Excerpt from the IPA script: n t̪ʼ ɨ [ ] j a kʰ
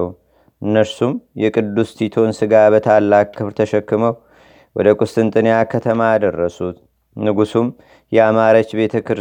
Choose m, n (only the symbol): n